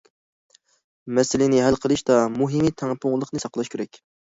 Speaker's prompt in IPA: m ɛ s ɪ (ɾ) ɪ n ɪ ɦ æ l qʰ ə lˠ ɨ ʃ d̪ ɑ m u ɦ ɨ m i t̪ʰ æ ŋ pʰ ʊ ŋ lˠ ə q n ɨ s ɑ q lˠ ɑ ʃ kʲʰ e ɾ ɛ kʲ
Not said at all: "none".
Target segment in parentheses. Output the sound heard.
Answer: l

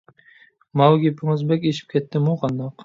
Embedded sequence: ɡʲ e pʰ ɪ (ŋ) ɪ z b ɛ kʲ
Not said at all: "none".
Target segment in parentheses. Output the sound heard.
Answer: ŋ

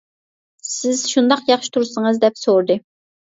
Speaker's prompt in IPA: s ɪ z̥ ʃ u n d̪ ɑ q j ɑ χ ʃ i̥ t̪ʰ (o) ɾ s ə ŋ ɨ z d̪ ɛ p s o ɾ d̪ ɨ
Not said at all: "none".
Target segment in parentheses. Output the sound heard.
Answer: u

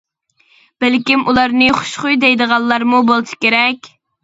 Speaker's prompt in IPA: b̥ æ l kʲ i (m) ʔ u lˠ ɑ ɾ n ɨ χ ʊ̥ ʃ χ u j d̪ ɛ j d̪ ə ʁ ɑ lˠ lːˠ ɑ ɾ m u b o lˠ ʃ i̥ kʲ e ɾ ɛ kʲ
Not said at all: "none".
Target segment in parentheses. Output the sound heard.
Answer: m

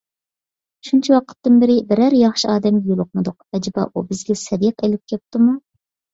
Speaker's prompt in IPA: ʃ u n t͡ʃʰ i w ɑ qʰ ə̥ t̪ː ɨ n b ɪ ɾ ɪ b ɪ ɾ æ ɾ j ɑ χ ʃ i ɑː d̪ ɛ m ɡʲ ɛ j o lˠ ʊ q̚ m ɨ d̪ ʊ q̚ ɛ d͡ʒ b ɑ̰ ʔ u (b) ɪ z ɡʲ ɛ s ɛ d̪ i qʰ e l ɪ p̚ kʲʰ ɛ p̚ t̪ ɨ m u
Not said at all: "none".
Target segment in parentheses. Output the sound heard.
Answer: b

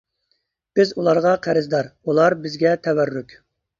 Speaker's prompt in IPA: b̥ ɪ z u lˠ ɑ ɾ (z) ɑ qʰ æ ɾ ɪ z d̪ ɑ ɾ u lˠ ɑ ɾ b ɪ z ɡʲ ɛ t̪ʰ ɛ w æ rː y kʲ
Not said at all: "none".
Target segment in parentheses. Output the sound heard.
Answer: ʁ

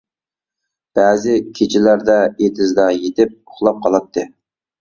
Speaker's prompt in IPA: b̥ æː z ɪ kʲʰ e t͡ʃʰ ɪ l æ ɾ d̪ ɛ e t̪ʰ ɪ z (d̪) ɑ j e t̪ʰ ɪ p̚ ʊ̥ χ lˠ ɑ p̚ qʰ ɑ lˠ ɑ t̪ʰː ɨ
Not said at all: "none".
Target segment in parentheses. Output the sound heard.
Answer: d̪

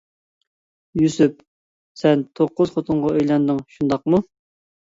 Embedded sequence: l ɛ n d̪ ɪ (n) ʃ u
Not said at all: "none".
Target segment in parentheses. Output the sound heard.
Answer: ŋ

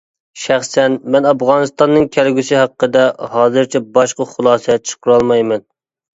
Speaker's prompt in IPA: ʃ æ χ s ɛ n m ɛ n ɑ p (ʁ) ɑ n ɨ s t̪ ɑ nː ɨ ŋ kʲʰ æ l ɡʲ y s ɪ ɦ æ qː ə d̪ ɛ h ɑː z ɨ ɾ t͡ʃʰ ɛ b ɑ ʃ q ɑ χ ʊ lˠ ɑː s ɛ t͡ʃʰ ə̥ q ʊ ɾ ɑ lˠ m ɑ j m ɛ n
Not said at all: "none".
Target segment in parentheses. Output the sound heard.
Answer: ʁ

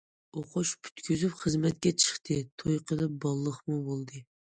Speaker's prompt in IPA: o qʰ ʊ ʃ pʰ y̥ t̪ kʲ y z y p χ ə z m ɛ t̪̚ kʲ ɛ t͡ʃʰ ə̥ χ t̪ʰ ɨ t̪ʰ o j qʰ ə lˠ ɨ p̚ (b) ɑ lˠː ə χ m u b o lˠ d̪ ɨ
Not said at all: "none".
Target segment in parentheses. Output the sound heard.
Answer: b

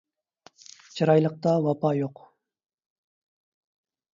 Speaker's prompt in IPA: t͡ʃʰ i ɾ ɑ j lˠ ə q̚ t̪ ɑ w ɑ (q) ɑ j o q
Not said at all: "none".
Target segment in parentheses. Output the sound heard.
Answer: p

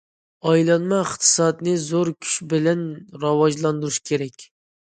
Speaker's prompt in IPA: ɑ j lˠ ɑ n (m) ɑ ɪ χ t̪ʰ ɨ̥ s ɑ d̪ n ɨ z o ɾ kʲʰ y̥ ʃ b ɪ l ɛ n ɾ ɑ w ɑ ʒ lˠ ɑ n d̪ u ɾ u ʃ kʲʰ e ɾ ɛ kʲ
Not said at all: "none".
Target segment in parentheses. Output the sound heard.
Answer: m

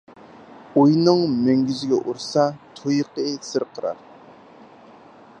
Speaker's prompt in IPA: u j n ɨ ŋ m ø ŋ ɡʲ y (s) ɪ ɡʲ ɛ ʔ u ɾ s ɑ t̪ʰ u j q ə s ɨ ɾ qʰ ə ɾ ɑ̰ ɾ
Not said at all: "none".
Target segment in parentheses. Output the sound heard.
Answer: z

